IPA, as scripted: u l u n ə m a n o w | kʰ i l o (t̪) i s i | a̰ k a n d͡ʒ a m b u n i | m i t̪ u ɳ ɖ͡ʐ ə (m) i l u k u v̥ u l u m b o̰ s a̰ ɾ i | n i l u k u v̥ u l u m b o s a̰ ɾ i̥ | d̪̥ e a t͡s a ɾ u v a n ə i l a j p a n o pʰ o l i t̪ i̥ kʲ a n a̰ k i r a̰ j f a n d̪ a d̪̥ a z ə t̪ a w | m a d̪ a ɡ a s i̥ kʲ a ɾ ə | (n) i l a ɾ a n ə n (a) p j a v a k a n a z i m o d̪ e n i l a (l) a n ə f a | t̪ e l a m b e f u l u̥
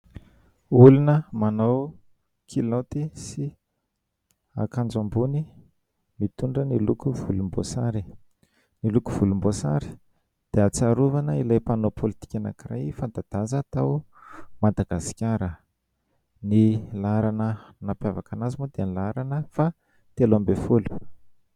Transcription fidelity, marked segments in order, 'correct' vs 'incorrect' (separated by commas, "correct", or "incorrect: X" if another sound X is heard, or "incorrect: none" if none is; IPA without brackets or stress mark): correct, incorrect: n, correct, correct, incorrect: ɾ